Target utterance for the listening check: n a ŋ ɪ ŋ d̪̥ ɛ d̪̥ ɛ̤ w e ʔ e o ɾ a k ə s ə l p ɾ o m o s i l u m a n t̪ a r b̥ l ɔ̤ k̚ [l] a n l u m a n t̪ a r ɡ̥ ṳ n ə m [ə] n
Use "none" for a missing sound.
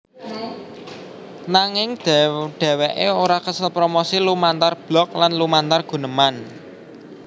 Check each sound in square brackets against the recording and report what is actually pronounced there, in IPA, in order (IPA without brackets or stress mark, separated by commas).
l, a